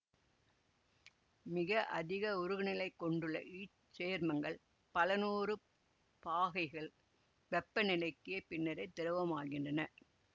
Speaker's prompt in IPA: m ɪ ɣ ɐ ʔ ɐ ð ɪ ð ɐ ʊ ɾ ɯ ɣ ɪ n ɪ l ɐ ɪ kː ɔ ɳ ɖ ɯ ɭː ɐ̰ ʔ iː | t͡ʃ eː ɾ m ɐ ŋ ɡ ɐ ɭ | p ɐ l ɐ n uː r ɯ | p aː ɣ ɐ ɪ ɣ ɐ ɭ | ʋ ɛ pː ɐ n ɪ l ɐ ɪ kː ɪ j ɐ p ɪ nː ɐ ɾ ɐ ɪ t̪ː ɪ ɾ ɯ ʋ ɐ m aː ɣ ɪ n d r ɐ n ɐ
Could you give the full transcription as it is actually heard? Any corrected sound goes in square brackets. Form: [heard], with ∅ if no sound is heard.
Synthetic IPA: m ɪ ɣ ɐ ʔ ɐ ð ɪ [ɣ] ɐ ʊ ɾ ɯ ɣ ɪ n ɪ l ɐ ɪ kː ɔ ɳ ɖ ɯ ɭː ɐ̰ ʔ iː | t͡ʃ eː ɾ m ɐ ŋ ɡ ɐ ɭ | p ɐ l ɐ n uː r ɯ | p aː ɣ ɐ ɪ ɣ ɐ ɭ | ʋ ɛ pː ɐ n ɪ l ɐ ɪ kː ɪ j ɐ p ɪ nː ɐ ɾ ɐ ɪ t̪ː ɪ ɾ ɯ ʋ ɐ m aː ɣ ɪ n d r ɐ n ɐ